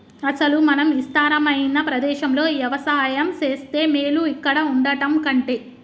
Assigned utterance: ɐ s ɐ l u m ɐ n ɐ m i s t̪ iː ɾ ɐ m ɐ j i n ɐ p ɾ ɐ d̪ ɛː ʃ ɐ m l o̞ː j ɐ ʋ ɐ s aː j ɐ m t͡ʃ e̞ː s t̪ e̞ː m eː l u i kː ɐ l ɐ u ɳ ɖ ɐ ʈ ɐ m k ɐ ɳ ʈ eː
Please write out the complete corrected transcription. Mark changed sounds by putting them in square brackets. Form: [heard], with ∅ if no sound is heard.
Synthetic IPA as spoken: ɐ s ɐ l u m ɐ n ɐ m i s t̪ [aː] ɾ ɐ m ɐ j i n ɐ p ɾ ɐ d̪ ɛː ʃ ɐ m l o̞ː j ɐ ʋ ɐ s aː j ɐ m t͡ʃ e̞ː s t̪ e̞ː m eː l u i kː ɐ [ɽ] ɐ u ɳ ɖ ɐ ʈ ɐ m k ɐ ɳ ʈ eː